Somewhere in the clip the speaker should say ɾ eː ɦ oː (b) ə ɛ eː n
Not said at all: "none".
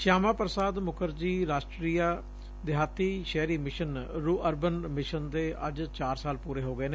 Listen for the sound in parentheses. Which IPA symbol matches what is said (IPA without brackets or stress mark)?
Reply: ɡ